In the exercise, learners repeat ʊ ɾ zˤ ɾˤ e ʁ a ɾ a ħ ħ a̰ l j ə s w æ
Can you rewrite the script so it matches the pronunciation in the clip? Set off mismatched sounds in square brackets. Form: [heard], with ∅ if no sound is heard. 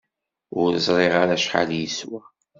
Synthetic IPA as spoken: ʊ ɾ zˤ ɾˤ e ʁ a ɾ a [ʃ] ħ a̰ l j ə s w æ